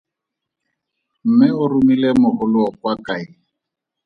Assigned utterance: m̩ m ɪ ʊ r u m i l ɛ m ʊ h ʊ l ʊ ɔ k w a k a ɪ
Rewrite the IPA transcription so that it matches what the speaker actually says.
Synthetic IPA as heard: m̩ m ɪ ʊ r u m i l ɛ m ʊ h ʊ l ʊ ɔ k w a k a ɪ